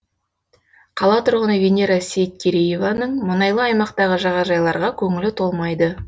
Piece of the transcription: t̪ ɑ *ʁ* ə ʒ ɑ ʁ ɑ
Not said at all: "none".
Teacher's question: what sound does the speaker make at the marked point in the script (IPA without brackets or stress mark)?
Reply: ʁ